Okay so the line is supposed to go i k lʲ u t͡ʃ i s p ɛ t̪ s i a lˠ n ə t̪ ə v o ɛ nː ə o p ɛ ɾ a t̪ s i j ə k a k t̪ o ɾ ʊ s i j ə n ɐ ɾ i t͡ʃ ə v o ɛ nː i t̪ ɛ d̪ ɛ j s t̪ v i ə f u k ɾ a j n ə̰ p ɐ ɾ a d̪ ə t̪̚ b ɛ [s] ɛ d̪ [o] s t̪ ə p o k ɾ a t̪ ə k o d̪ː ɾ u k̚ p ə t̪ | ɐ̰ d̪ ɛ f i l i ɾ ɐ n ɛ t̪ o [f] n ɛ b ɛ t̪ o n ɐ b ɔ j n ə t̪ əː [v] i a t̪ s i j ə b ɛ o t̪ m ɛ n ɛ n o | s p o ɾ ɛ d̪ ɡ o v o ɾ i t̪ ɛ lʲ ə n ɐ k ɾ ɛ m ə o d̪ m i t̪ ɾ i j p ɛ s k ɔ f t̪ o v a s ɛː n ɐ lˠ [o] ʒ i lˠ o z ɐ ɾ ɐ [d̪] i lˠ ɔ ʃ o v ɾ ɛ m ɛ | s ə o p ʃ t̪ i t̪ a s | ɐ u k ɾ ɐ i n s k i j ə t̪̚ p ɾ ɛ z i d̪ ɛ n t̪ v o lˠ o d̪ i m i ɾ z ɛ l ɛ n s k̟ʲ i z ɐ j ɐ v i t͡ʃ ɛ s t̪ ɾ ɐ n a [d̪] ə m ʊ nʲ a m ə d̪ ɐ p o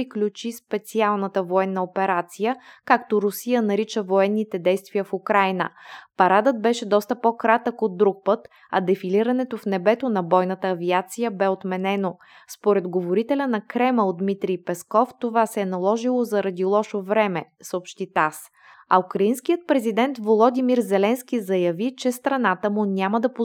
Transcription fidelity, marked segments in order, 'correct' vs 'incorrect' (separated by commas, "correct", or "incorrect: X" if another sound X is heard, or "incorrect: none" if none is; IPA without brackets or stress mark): incorrect: ʃ, incorrect: ɔ, correct, correct, incorrect: ɔ, correct, incorrect: t̪